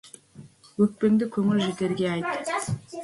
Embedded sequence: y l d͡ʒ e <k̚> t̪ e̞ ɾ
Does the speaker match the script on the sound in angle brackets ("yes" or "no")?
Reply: no